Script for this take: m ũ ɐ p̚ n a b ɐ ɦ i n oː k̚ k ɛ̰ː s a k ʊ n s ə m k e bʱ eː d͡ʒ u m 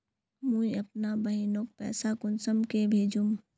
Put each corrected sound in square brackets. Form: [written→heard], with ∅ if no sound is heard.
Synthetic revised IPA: m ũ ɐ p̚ n a b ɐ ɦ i n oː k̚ [k→p] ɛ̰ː s a k ʊ n s ə m k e bʱ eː d͡ʒ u m

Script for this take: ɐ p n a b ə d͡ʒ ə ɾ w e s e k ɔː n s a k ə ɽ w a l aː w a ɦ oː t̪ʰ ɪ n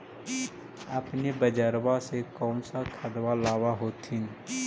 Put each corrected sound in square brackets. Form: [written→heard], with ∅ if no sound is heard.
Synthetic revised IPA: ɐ p n [a→e] b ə d͡ʒ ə ɾ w [e→a] s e k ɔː n s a [k→kʰ] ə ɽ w a l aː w a ɦ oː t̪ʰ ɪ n

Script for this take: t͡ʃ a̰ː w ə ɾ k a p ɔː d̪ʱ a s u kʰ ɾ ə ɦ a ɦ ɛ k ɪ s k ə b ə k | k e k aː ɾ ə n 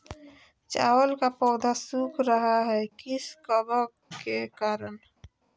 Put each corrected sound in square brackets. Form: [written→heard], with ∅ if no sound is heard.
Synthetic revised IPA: t͡ʃ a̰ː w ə [ɾ→l] k a p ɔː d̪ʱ a s u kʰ ɾ ə ɦ a ɦ ɛ k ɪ s k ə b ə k | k e k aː ɾ ə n

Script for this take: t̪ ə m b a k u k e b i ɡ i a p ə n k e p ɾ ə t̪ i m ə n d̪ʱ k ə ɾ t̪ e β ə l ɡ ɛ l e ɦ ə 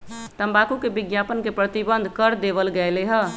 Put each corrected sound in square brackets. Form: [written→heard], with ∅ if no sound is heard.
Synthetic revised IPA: t̪ ə m b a k u k e b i ɡ [i→j] a p ə n k e p ɾ ə t̪ i [m→b] ə n d̪ʱ k ə ɾ [t̪→d̪] e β ə l ɡ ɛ l e ɦ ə

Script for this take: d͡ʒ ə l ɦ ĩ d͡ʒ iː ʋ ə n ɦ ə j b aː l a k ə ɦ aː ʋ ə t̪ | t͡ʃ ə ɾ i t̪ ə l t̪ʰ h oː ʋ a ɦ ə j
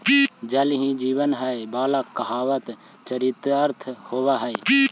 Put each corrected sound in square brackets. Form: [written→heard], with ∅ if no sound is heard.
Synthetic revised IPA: d͡ʒ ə l ɦ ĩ d͡ʒ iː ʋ ə n ɦ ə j b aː l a k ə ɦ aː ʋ ə t̪ | t͡ʃ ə ɾ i t̪ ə [l→ɾ] t̪ʰ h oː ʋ a ɦ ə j

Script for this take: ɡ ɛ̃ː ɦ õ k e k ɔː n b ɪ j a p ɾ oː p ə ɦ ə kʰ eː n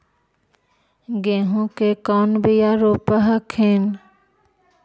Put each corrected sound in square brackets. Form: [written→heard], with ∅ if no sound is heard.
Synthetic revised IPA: ɡ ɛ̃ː ɦ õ k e k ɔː n b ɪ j a [p→∅] ɾ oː p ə ɦ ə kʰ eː n

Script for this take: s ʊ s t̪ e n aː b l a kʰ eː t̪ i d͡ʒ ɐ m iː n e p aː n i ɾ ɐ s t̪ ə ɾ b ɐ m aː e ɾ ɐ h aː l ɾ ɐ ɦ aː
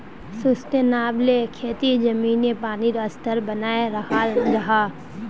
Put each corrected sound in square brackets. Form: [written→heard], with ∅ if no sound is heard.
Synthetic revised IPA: s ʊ s t̪ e n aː b l [a→e] kʰ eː t̪ i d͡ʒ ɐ m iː n e p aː n i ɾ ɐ s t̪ ə ɾ b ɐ [m→n] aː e ɾ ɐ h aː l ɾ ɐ ɦ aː

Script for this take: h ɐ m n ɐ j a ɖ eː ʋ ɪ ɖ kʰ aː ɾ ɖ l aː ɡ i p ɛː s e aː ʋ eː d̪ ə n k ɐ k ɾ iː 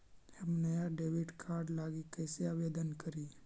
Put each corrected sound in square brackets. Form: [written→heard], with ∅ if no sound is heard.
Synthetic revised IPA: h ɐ m n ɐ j a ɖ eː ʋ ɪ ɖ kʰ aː ɾ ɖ l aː ɡ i [p→k] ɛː s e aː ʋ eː d̪ ə n k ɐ [k→∅] ɾ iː

